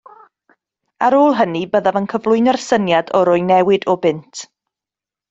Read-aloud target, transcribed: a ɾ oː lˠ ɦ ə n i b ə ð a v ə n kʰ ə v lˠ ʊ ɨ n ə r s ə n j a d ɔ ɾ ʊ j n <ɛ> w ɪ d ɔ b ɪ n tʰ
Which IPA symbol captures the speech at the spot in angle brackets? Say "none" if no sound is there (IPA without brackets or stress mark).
ɛ